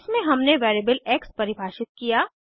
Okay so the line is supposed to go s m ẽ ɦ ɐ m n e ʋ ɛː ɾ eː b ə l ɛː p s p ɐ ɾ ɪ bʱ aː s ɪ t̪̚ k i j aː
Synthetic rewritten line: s m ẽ ɦ ɐ m n e ʋ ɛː ɾ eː b ə l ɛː k s p ɐ ɾ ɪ bʱ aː ʃ ɪ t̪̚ k i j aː

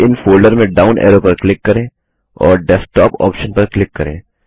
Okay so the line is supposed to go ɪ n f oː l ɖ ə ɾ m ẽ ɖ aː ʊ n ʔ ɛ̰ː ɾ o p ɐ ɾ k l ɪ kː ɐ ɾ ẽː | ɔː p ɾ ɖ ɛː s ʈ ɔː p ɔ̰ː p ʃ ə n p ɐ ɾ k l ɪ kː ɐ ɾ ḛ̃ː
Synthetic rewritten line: ɪ n f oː l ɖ ə ɾ m ẽ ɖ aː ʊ n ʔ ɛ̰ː ɾ o p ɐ ɾ k l ɪ kː ɐ ɾ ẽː | ɔː ɾ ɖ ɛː s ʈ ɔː p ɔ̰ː p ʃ ə n p ɐ ɾ k l ɪ kː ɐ ɾ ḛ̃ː

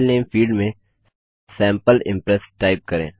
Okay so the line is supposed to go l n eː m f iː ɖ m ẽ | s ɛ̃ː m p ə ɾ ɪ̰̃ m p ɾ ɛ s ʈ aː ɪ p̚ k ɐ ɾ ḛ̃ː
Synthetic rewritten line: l n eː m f iː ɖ m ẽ | s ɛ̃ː m p ə l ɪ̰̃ m p ɾ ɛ s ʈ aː ɪ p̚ k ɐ ɾ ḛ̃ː

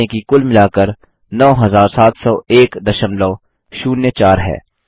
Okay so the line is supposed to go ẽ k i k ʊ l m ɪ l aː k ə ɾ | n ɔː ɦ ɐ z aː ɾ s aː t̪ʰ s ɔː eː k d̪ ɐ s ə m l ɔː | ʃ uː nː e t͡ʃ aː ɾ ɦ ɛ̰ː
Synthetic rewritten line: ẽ k i k ʊ l m ɪ l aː k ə ɾ | n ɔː ɦ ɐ z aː ɾ s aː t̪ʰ s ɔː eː k d̪ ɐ ʃ ə m l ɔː | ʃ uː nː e t͡ʃ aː ɾ ɦ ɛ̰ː

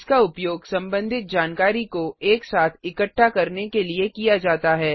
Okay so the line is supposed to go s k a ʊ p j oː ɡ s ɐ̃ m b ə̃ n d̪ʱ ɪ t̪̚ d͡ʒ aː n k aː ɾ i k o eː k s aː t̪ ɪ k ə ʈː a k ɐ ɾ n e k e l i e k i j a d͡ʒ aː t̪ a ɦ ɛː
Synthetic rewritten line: s k a ʊ p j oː ɡ s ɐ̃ m b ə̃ n d̪ʱ ɪ t̪̚ d͡ʒ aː n k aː ɾ i k o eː k s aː t̪ʰ ɪ k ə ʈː a k ɐ ɾ n e k e l i e k i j a d͡ʒ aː t̪ a ɦ ɛː

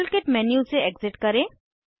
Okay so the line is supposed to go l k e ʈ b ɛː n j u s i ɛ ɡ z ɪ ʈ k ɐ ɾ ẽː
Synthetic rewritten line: l k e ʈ m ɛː n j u s e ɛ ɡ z ɪ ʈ k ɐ ɾ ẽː

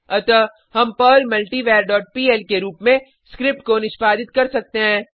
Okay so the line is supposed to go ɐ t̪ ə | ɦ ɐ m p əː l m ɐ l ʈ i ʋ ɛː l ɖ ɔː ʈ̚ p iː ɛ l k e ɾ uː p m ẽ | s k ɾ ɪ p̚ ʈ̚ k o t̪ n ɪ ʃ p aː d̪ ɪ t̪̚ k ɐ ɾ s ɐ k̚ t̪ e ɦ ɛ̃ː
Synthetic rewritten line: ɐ t̪ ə | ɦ ɐ m p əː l m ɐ l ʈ i ʋ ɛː ɾ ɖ ɔː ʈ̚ p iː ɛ l k e ɾ uː p m ẽ | s k ɾ ɪ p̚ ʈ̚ k o n ɪ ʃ p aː d̪ ɪ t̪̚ k ɐ ɾ s ɐ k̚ t̪ e ɦ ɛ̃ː

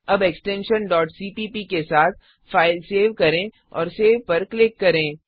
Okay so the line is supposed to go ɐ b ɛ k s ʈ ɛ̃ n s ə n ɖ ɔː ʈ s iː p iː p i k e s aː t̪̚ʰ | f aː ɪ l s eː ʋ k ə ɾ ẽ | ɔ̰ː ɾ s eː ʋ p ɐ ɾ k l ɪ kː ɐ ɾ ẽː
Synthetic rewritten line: ɐ b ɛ k s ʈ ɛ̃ n ʃ ə n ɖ ɔː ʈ s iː p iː p i k e s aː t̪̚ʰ | f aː ɪ l s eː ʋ k ɐ ɾ ẽ | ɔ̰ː ɾ s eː ʋ p ɐ ɾ k l ɪ kː ɐ ɾ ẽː

